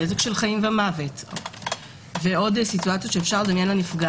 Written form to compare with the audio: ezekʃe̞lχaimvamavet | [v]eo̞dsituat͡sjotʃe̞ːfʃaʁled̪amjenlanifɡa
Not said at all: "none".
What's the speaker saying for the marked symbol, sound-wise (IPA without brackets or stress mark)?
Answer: v